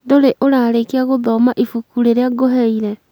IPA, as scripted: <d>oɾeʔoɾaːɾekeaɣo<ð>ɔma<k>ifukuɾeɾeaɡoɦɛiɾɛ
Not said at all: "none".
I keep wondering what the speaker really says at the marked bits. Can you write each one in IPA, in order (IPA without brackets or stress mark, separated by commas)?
d, ð, ʔ